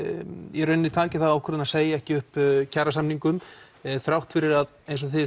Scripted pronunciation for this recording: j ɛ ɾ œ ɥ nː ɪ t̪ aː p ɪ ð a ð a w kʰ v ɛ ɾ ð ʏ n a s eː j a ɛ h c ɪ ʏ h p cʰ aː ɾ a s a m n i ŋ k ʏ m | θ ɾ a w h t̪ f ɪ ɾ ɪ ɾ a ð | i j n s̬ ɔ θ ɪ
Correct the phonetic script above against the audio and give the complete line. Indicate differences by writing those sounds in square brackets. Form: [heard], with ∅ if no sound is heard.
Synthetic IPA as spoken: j ɛ ɾ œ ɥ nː ɪ [t̪ʰ] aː [c] ɪ [θ] a ð a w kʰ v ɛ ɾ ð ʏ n a s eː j a ɛ h c ɪ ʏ h p cʰ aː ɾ a s a m n i ŋ k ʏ m | θ ɾ a w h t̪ f ɪ ɾ ɪ ɾ a ð | [e] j n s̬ ɔ θ ɪ